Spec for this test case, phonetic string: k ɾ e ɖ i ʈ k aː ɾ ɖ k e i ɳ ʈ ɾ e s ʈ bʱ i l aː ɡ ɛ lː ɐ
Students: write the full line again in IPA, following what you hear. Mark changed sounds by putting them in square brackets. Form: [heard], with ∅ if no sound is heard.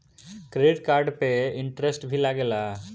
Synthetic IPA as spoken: k ɾ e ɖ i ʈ k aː ɾ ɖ [p] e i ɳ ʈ ɾ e s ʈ bʱ i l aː ɡ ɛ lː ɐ